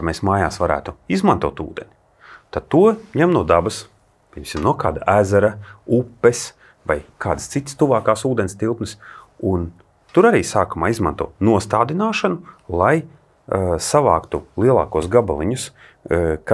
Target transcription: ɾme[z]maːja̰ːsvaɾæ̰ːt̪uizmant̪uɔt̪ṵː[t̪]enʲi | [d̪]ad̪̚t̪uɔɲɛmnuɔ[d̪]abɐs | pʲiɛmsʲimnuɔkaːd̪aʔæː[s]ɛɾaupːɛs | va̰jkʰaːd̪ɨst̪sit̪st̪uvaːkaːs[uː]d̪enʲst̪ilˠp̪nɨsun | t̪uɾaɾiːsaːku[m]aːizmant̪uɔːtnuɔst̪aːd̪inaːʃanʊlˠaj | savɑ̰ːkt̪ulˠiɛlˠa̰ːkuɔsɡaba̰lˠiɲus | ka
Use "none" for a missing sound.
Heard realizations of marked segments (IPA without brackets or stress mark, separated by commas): s, d̪, t̪, d̪, z, uː, m